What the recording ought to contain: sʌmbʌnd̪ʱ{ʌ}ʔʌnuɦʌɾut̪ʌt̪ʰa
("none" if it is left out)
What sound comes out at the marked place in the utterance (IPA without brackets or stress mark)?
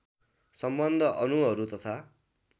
ʌ